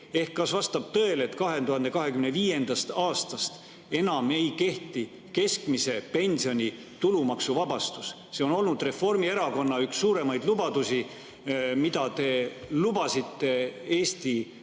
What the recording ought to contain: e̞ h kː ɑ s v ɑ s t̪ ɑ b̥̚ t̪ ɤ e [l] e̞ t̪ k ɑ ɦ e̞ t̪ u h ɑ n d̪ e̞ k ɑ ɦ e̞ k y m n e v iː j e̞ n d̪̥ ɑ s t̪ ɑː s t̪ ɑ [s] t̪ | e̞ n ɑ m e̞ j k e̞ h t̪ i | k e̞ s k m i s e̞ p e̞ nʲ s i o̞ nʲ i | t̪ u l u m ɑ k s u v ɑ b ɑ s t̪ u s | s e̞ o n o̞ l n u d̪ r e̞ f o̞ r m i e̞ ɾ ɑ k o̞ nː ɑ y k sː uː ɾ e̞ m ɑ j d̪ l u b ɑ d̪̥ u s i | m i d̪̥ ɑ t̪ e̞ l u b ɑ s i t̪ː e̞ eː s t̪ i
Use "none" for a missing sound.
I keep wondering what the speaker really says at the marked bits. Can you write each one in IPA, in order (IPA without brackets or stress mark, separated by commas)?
l, s